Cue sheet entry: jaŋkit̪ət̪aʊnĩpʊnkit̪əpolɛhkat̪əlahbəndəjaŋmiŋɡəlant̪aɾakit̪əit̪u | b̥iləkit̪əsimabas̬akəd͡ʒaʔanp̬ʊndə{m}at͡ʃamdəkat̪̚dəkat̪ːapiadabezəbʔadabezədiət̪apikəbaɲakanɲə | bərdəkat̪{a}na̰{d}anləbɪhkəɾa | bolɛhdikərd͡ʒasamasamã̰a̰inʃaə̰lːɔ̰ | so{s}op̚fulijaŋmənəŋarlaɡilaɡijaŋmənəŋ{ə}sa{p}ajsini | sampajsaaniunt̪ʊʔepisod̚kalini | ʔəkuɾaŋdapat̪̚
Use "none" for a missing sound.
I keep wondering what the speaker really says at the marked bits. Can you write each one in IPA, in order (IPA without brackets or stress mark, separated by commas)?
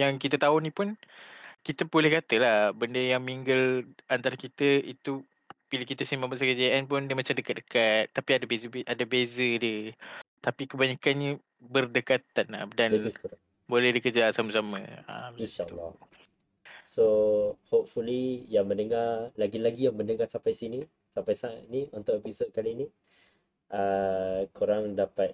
m, a, d, h, a, p